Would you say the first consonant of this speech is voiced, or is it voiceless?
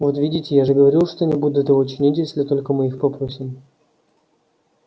voiced